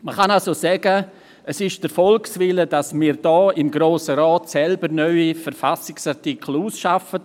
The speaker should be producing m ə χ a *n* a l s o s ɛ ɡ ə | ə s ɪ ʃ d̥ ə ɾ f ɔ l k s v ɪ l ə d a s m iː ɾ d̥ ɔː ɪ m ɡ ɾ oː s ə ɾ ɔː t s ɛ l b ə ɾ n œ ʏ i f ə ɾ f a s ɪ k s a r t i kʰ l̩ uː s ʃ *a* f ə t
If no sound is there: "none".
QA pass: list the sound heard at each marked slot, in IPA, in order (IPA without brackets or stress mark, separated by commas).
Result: n, a